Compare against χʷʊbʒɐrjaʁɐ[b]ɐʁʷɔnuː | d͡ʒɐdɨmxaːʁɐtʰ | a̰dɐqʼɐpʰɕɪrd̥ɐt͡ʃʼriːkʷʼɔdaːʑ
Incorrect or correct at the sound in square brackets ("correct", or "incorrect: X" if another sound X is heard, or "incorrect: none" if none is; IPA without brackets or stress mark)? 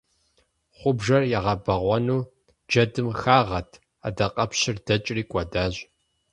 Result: correct